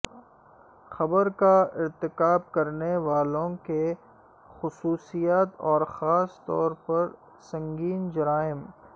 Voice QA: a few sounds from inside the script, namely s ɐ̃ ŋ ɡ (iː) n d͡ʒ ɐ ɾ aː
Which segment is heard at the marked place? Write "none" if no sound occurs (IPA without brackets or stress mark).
iː